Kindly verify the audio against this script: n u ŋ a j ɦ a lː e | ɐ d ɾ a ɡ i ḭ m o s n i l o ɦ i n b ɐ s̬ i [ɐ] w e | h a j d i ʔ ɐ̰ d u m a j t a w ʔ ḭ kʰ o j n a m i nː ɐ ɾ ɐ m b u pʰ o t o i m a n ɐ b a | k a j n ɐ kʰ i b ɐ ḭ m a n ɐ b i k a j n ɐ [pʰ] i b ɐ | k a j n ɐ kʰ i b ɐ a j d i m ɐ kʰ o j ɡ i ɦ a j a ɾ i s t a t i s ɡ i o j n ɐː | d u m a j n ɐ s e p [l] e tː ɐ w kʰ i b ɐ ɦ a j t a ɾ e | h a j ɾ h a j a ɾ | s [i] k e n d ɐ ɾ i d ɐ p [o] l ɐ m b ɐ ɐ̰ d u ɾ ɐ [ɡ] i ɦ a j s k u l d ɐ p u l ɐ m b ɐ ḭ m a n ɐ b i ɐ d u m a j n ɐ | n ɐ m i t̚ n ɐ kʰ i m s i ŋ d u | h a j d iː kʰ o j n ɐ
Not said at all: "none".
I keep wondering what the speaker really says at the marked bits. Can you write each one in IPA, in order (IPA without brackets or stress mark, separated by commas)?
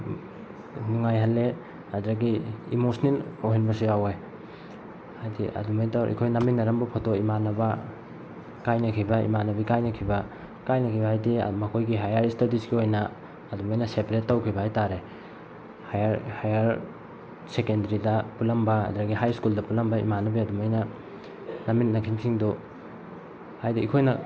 a, kʰ, ɾ, e, u, ɡ